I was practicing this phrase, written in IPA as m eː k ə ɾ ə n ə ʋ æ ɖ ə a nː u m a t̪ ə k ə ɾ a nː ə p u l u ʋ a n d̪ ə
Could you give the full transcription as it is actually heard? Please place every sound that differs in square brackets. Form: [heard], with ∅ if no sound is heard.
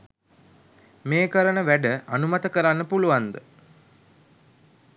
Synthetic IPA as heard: m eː k ə ɾ ə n ə ʋ æ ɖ ə a [n] u m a t̪ ə k ə ɾ a nː ə p u l u ʋ a n d̪ ə